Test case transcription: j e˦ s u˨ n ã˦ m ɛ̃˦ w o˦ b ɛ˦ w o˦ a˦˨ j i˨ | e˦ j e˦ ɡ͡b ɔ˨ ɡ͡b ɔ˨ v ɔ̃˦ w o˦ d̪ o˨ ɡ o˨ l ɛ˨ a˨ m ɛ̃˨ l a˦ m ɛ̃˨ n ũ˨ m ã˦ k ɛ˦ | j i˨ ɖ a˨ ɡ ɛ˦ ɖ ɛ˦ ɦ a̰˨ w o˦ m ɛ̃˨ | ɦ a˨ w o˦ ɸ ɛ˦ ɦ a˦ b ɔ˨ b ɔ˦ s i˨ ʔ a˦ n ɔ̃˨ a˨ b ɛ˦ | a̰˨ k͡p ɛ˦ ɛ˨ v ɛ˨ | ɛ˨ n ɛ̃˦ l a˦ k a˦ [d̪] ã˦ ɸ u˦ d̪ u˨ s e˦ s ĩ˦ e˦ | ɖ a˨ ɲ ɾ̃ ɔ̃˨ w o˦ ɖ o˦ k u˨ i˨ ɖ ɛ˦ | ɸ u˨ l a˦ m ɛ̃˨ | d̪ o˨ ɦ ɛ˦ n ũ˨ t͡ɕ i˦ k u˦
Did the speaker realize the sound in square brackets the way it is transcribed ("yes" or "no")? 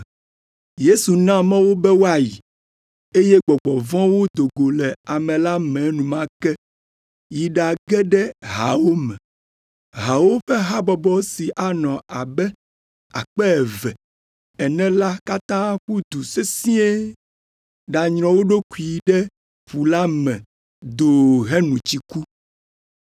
no